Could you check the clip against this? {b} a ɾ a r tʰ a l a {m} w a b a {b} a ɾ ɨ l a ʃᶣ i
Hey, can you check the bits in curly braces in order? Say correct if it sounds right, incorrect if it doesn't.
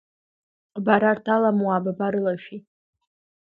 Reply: correct, correct, correct

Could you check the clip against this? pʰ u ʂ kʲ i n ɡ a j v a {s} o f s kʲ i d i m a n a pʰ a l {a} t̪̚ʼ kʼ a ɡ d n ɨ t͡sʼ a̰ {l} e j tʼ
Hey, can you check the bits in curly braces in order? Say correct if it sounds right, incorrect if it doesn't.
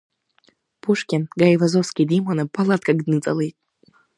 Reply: incorrect, correct, correct

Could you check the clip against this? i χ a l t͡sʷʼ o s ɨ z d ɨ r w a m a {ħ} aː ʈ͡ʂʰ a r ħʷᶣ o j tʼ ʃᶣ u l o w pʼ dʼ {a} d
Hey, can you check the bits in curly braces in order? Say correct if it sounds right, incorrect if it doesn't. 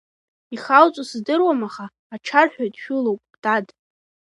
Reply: incorrect, correct

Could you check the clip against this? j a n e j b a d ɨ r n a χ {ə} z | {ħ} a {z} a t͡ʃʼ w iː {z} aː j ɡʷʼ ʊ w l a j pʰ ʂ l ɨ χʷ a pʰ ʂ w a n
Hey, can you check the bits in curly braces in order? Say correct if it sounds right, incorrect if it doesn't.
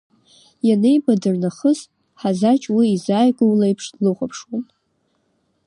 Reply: correct, correct, correct, correct

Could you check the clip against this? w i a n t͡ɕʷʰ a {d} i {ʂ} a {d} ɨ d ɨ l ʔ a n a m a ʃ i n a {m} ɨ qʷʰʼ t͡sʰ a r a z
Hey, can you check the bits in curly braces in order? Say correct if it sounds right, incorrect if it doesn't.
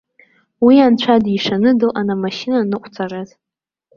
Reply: correct, correct, incorrect, incorrect

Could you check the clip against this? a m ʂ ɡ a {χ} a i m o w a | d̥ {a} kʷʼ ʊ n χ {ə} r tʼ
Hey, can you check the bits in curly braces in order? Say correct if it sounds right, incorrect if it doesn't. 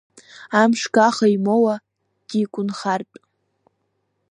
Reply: correct, incorrect, incorrect

